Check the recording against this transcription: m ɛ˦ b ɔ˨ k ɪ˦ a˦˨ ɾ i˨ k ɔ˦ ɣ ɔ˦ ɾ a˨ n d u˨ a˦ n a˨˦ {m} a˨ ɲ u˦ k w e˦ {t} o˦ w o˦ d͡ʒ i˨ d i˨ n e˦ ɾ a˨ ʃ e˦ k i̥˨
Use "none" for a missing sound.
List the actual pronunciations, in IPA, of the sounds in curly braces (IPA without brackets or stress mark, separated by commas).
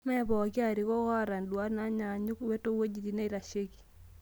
ɲ, t